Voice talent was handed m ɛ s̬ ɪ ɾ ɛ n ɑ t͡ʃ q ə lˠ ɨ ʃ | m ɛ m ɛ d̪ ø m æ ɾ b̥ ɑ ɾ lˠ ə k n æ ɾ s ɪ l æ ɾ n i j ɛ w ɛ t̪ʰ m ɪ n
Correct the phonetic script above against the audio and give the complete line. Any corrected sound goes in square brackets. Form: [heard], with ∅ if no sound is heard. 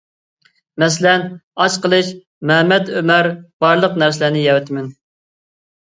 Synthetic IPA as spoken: m ɛ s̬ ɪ [l] ɛ n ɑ t͡ʃ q ə lˠ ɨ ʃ | m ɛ m ɛ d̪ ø m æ ɾ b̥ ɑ ɾ lˠ ə [q] n æ ɾ s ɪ l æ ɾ n [ɪ] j ɛ w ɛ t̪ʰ m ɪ n